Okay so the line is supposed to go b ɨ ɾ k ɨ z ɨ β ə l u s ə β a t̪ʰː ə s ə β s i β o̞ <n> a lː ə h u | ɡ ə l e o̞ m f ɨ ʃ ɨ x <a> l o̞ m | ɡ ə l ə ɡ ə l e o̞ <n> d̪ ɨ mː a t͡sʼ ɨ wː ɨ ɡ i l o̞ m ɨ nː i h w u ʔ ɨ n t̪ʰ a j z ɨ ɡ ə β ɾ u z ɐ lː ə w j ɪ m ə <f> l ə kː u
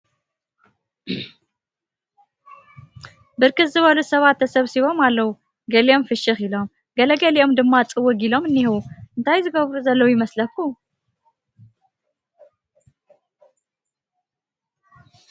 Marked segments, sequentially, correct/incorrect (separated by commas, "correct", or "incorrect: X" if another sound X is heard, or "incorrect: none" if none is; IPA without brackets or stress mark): incorrect: m, incorrect: i, incorrect: m, incorrect: s